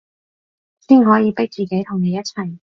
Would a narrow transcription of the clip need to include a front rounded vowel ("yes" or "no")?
no